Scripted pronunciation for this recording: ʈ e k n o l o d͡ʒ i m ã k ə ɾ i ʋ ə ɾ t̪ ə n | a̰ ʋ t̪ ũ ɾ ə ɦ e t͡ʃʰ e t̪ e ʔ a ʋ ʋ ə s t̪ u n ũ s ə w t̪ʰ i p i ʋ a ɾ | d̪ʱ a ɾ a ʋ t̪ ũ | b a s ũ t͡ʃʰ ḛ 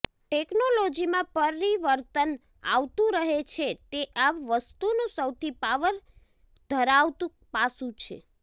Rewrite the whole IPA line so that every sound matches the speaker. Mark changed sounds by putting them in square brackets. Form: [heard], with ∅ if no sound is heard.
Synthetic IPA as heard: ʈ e k n o l o d͡ʒ i m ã [p] ə ɾ i ʋ ə ɾ t̪ ə n | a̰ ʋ t̪ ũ ɾ ə ɦ e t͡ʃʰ e t̪ e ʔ a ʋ ʋ ə s t̪ u n ũ s ə w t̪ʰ i p [a] ʋ [ə] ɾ | d̪ʱ [ə] ɾ a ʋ t̪ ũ | [p] a s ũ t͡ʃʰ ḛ

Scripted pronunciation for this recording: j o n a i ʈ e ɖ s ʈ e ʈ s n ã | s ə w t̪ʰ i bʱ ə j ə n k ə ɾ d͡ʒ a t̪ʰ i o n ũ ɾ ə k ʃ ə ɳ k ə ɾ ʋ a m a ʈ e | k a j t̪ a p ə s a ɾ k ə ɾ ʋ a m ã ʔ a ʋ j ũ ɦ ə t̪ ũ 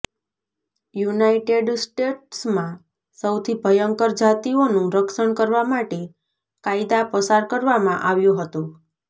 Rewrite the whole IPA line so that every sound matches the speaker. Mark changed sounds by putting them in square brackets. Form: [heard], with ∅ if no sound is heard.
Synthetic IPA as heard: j [u] n a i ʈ e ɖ s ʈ e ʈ s [m] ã | s ə w t̪ʰ i bʱ ə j ə [ŋ] k ə ɾ d͡ʒ a [t̪] i o n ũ ɾ ə k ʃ ə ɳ k ə ɾ ʋ a m a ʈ e | k a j [d̪] a p ə s a ɾ k ə ɾ ʋ a m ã ʔ a ʋ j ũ ɦ ə t̪ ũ

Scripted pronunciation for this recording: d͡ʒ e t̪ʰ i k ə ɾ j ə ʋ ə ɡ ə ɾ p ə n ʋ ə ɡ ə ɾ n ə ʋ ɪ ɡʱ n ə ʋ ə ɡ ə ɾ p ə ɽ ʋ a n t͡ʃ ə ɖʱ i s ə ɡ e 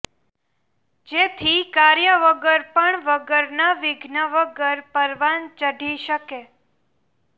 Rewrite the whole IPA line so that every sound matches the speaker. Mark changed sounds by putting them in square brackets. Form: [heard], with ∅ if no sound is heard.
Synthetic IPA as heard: d͡ʒ e t̪ʰ i k [a] ɾ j ə ʋ ə ɡ ə ɾ p ə [ɳ] ʋ ə ɡ ə ɾ n [a] ʋ ɪ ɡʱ n ə ʋ ə ɡ ə ɾ p ə [ɾ] ʋ a n t͡ʃ ə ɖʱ i [ʃ] ə [k] e

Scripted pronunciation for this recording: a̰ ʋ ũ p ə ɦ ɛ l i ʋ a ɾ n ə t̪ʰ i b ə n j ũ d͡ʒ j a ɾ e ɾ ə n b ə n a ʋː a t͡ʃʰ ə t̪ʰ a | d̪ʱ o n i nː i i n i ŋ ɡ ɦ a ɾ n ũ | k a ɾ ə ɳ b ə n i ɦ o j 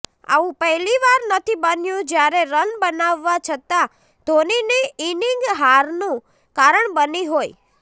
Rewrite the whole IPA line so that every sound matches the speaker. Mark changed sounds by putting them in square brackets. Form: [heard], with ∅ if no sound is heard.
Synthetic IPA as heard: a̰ ʋ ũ p ə ɦ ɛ l i ʋ a ɾ n ə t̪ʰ i b ə n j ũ d͡ʒ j a ɾ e ɾ ə n b ə n a ʋː a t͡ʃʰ ə [t̪] a | d̪ʱ o n i [n] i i n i ŋ ɡ ɦ a ɾ n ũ | k a ɾ ə ɳ b ə n i ɦ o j

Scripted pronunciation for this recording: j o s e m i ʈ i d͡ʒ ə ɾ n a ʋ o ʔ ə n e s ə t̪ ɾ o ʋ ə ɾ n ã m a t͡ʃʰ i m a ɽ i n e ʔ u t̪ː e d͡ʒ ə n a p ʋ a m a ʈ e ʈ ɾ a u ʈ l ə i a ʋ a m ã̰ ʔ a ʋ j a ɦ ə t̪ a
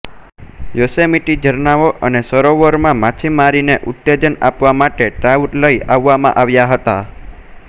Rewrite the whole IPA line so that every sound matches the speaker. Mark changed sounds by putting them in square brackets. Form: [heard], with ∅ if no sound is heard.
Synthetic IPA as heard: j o s e m i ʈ i d͡ʒ ə ɾ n a ʋ o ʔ ə n e s ə [∅] ɾ o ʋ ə ɾ [m] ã m a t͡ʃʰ i m a [ɾ] i n e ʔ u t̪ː e d͡ʒ ə n a p ʋ a m a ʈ e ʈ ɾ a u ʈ l ə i a [ʋː] a m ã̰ ʔ a ʋ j a ɦ ə t̪ a

